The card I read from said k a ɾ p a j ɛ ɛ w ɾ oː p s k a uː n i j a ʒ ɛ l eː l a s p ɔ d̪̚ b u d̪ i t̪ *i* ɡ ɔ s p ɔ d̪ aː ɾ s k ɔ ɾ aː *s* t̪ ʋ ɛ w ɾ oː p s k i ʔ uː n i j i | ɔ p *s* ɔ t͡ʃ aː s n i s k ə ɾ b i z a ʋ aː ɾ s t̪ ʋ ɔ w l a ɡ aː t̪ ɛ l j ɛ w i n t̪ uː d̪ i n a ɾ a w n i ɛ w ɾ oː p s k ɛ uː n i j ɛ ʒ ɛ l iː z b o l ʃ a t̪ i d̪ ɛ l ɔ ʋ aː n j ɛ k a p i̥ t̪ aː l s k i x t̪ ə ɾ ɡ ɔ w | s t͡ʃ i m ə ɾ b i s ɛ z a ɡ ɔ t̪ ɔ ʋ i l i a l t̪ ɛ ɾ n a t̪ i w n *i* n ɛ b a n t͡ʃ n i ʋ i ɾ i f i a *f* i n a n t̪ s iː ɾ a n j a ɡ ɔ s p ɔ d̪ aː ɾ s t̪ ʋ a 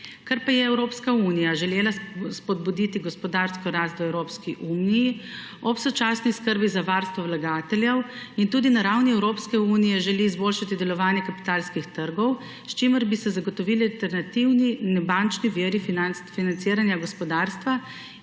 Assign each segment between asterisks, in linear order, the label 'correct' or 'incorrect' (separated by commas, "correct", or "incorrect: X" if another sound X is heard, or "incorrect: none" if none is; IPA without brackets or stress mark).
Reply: correct, correct, correct, correct, correct